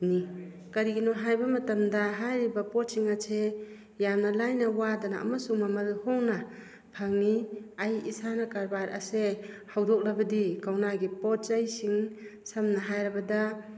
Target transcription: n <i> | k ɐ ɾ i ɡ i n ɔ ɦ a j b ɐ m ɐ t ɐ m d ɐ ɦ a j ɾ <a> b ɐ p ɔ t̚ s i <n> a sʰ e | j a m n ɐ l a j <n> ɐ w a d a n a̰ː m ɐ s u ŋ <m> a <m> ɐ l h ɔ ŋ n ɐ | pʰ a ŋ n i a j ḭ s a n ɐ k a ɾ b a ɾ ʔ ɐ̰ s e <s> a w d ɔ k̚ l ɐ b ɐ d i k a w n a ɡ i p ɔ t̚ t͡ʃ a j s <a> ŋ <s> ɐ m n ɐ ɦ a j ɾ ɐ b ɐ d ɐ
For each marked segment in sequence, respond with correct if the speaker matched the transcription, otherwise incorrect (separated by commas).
correct, incorrect, incorrect, correct, correct, correct, incorrect, incorrect, correct